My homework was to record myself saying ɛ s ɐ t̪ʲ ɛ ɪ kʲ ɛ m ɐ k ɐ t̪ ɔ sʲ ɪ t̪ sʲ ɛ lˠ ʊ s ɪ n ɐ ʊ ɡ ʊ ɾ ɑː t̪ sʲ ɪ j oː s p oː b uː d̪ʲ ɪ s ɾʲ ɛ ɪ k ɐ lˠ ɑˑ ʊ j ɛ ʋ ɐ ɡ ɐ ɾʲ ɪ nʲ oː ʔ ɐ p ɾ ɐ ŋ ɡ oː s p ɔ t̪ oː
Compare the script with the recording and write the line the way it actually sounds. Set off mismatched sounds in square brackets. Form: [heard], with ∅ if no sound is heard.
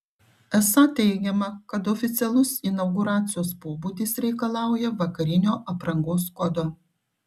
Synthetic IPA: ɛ s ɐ t̪ʲ ɛ ɪ [ɡʲ] ɛ m ɐ k ɐ t̪ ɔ [fʲ] ɪ t̪ sʲ ɛ lˠ ʊ s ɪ n ɐ ʊ ɡ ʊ ɾ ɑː t̪ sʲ ɪ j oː s p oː b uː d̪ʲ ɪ s ɾʲ ɛ ɪ k ɐ lˠ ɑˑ ʊ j ɛ ʋ ɐ [k] ɐ ɾʲ ɪ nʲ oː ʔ ɐ p ɾ ɐ ŋ ɡ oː s [k] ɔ [d̪] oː